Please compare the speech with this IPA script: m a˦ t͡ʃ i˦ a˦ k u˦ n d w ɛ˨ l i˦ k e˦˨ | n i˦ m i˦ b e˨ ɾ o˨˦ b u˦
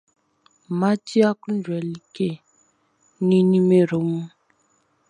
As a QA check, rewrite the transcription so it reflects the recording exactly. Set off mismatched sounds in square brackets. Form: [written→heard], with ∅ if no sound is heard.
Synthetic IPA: m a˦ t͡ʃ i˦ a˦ k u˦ n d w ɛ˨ l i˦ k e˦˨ | n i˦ [m→n] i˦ [b→m] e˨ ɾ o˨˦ [b→m] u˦

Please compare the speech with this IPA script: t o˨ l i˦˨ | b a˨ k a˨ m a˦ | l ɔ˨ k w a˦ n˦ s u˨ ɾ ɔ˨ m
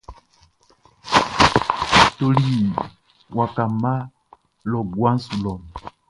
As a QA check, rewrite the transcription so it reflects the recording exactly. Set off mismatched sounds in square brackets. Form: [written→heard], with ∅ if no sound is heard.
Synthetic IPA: t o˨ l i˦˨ | [b→w] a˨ k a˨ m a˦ | l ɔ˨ [k→ɡ] w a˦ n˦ s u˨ [ɾ→l] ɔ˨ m

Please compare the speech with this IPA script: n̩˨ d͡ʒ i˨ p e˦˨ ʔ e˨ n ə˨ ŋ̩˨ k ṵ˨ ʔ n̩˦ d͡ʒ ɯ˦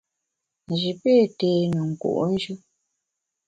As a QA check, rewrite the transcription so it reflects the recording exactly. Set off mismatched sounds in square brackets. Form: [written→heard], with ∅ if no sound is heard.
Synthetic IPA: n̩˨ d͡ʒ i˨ p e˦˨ [ʔ→t] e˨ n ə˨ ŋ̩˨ k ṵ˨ ʔ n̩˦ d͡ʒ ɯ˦

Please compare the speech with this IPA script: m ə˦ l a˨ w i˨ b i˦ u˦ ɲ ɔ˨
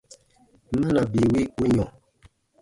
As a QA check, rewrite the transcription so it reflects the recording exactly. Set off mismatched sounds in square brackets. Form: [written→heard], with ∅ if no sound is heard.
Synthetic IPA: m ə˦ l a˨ [w→b] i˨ [b→w] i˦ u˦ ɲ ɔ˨

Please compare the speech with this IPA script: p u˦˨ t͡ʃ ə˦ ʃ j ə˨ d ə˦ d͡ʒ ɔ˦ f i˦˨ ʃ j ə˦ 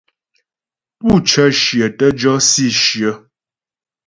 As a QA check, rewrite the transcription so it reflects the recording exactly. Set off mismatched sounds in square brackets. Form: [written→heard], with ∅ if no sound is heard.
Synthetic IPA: p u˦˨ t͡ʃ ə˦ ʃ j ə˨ [d→t] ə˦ d͡ʒ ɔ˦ [f→s] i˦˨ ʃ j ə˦

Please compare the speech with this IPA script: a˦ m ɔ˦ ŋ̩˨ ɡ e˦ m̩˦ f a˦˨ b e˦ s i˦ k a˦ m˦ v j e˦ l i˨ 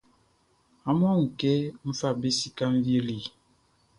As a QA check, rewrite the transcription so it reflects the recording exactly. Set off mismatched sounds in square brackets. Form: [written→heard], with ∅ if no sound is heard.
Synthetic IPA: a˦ m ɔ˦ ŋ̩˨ [ɡ→k] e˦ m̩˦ f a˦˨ b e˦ s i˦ k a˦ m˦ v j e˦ l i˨

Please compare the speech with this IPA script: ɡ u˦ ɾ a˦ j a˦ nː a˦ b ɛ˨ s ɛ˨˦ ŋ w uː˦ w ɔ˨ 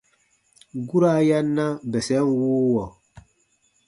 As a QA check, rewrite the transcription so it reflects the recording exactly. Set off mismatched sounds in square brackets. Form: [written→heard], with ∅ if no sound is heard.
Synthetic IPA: ɡ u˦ ɾ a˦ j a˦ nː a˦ b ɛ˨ s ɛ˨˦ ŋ w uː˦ w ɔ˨

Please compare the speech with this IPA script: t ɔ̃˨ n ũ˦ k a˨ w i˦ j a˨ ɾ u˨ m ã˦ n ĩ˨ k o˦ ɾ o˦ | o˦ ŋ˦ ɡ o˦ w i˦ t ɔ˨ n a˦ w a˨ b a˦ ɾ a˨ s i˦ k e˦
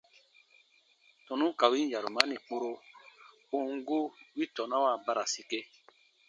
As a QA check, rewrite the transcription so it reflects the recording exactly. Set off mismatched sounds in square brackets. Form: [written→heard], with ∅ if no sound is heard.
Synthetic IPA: t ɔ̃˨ n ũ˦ k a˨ w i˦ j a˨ ɾ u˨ m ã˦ n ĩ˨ [k→k͡p] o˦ ɾ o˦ | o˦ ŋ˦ ɡ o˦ w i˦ t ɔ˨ n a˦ w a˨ b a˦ ɾ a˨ s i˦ k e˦

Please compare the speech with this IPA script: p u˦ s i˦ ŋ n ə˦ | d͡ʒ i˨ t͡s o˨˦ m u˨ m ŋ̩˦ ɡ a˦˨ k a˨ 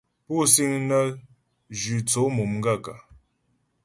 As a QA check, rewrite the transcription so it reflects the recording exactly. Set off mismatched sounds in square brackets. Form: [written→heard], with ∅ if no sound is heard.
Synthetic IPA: p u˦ s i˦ ŋ n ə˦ | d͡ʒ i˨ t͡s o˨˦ m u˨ m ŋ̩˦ ɡ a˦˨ k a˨

